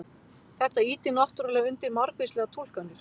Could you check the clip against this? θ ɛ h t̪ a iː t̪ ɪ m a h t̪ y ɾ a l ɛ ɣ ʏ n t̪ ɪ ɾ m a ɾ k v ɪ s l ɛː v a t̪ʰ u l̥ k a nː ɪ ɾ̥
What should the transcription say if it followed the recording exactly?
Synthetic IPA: θ ɛ h t̪ a iː t̪ ɪ n a h t̪ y ɾ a l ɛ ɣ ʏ n t̪ ɪ ɾ m a ɾ k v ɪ s l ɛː ɣ a t̪ʰ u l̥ k a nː ɪ ɾ̥

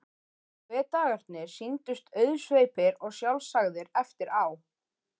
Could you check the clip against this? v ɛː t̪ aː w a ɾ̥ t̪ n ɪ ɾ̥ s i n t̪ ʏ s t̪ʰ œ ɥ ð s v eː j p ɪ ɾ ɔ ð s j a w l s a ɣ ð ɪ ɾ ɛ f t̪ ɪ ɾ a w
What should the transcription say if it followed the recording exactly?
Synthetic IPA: v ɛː t̪ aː ɣ a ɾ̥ t̪ n ɪ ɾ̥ s i n t̪ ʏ s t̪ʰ œ ɥ ð s v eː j p ɪ ɾ ɔ ɣ s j a w l s a ɣ ð ɪ ɾ ɛ f t̪ ɪ ɾ a w

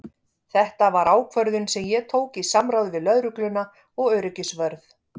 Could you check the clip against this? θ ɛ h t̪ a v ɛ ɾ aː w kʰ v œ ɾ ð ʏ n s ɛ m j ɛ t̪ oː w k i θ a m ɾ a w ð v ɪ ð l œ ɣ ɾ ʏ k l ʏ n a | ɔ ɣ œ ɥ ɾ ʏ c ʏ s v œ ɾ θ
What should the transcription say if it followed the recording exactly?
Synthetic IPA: θ ɛ h t̪ a v a ɾ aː w kʰ v œ ɾ ð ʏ n s ɛ m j ɛ t̪ʰ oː w k i s a m ɾ a w ð v ɪ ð l œ ð ɾ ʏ k l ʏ n a | ɔ ɣ œ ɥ ɾ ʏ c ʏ s v œ ɾ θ

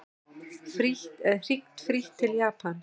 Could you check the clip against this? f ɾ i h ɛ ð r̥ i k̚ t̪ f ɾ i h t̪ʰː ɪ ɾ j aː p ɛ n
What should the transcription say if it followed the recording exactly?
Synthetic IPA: f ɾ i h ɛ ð r̥ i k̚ t̪ f ɾ i h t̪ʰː ɪ l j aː p a n

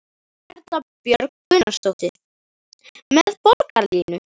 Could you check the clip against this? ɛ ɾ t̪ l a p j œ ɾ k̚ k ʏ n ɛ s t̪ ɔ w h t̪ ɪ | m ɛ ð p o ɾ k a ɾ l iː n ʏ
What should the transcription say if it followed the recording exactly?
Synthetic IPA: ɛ ɾ t̪ l a p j œ ɾ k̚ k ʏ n a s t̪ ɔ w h t̪ ɪ | m ɛ ð p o ɾ k a ɾ l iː n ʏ

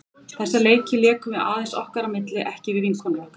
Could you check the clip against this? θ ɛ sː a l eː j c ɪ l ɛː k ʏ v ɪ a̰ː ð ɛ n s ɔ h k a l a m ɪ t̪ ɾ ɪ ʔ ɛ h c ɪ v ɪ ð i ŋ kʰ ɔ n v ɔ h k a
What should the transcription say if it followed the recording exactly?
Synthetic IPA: θ ɛ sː a l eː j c ɪ l ɛː k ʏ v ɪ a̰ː ð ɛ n s ɔ h k a ɾ a m ɪ t̪ l ɪ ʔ ɛ h c ɪ v ɪ ð i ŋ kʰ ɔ n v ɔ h k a

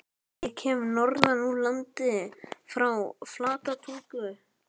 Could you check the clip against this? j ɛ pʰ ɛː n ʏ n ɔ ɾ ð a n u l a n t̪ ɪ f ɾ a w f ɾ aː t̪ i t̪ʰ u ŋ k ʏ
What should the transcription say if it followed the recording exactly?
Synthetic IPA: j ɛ cʰ ɛː m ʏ n ɔ ɾ ð a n u l a n t̪ ɪ f ɾ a w f l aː t̪ a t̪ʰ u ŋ k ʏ

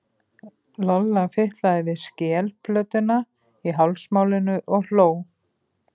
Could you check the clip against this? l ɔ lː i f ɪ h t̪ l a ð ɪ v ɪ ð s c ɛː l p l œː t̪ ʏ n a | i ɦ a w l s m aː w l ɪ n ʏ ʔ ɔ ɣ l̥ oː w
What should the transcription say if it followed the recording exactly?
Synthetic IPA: l ɔ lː a f ɪ h t̪ l a ð ɪ v ɪ ð s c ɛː l p l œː t̪ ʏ n a | i ɦ a w l s m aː w l ɪ n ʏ ʔ ɔ ɣ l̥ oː w

